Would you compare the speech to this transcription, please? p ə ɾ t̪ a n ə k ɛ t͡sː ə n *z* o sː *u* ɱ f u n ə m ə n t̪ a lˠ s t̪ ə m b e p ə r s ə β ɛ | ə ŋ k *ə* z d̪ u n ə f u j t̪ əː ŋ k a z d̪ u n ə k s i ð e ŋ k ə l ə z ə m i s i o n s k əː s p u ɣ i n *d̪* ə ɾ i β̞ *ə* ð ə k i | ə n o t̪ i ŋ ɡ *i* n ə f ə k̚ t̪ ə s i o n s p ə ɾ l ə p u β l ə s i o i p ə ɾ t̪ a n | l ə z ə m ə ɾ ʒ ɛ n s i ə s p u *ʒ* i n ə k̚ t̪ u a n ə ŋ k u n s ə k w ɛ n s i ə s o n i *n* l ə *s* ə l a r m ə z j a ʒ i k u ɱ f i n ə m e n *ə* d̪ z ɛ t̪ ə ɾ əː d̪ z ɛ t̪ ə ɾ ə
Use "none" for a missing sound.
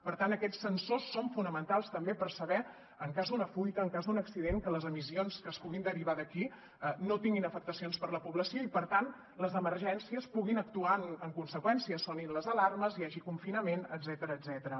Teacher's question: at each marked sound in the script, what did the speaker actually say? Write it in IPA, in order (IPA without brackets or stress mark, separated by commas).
s, o, a, d̪, a, i, ɣ, n, z, ə